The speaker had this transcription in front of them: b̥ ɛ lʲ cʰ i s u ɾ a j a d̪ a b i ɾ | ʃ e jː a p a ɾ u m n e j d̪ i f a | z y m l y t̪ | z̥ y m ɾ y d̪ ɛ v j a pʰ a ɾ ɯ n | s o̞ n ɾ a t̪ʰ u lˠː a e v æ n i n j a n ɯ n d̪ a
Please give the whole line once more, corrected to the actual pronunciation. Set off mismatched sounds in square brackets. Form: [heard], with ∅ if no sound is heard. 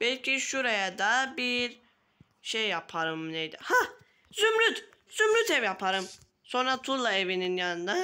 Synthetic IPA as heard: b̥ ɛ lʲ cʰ i [ʃ] u ɾ a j a d̪ a b i ɾ | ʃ e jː a [pʰ] a ɾ [ɯ] m n e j d̪ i [h] a | z y m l y t̪ | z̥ y m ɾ y [t̪] ɛ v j a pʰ a ɾ ɯ [m] | s o̞ n ɾ a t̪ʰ u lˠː a e v [i] n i n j a n ɯ n d̪ a